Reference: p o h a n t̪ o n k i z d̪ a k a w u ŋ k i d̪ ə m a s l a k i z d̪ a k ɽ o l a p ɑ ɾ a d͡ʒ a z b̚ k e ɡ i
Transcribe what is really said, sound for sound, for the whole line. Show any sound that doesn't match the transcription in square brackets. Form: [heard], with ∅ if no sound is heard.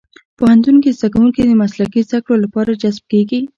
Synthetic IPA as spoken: p o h a n t̪ [u] n k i z d̪ a k a w u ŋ k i d̪ ə m a s l a k i z d̪ a k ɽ o l a p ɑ ɾ a d͡ʒ a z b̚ k e ɡ i